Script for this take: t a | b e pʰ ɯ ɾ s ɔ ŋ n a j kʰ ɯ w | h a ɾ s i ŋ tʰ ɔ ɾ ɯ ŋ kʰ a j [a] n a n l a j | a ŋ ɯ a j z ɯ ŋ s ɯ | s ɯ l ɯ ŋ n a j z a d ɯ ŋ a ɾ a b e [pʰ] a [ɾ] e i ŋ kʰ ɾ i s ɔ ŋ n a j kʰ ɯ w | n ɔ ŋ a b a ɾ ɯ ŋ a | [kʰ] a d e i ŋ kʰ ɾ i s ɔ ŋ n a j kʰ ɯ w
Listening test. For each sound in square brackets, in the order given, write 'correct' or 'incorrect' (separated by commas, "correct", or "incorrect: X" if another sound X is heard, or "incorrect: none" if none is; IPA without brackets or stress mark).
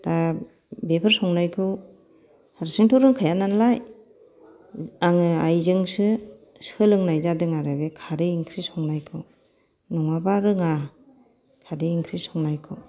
correct, incorrect: kʰ, correct, correct